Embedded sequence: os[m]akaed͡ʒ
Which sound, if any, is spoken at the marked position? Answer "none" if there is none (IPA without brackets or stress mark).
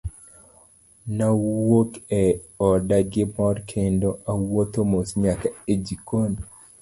ɲ